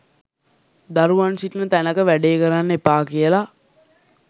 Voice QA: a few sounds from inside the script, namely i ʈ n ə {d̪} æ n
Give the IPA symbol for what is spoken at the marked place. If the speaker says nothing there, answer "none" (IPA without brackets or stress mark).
t̪